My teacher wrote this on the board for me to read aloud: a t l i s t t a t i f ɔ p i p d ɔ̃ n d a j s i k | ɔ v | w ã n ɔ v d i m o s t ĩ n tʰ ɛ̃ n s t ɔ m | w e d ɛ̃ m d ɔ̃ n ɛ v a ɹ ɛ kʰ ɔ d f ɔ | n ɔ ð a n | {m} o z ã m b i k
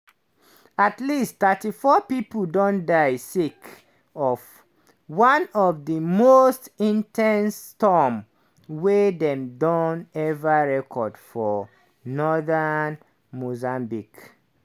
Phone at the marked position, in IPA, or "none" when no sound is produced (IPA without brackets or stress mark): m